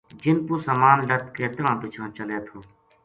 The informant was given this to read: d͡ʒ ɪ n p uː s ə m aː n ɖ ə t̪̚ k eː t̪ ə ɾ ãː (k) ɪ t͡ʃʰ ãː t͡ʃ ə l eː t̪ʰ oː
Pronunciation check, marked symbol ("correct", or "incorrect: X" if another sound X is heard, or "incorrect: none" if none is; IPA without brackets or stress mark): incorrect: p